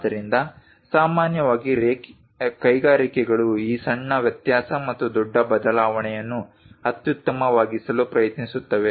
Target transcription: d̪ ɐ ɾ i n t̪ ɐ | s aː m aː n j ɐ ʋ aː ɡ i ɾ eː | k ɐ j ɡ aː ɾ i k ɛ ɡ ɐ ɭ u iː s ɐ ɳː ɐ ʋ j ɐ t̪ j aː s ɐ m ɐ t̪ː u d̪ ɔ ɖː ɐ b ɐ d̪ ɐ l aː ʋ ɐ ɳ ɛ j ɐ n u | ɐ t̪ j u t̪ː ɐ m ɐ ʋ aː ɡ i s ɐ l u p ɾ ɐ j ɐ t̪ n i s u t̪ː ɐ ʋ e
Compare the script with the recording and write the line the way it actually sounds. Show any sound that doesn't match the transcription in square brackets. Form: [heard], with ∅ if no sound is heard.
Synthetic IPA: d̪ ɐ ɾ i n [d̪] ɐ | s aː m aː n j ɐ ʋ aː ɡ i ɾ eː | k ɐ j ɡ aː ɾ i k ɛ ɡ ɐ ɭ u iː s ɐ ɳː ɐ ʋ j ɐ t̪ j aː s ɐ m ɐ t̪ː u d̪ ɔ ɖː ɐ b ɐ d̪ ɐ l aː ʋ ɐ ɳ ɛ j ɐ [nː] u | ɐ t̪ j u t̪ː ɐ m ɐ ʋ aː ɡ i s ɐ l u p ɾ ɐ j ɐ t̪ n i s u t̪ː ɐ ʋ e